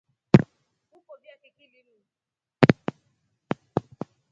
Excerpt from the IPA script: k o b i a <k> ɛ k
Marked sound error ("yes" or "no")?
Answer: no